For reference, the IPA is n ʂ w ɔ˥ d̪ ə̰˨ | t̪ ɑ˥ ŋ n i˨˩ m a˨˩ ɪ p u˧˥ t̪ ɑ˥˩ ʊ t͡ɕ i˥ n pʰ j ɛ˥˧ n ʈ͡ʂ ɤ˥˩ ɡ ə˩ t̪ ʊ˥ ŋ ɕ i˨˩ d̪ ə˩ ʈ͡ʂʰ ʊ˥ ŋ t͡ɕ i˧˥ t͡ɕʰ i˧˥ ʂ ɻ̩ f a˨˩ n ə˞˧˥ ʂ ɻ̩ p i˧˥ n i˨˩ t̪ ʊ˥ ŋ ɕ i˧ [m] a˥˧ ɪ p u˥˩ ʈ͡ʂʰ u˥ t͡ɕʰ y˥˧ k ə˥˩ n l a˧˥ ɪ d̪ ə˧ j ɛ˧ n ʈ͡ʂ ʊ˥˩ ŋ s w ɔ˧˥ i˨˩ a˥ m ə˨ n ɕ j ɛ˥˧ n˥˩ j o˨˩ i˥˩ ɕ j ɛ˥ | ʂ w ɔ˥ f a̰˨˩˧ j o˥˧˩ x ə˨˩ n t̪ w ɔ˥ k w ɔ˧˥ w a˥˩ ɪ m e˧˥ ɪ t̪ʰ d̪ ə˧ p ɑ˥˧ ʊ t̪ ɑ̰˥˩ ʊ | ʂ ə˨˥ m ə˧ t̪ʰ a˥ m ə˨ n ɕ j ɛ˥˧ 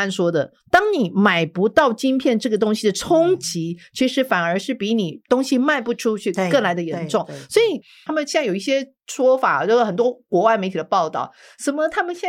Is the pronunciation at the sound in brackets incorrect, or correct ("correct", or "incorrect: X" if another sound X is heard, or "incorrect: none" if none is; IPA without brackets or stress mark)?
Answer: correct